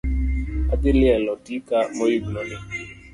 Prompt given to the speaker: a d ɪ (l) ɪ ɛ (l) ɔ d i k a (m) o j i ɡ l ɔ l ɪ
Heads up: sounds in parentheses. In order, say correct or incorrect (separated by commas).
correct, correct, correct